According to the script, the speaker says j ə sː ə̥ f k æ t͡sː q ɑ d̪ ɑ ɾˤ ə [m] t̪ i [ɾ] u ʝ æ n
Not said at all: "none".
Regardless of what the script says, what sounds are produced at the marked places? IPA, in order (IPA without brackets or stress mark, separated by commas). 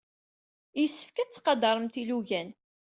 m, l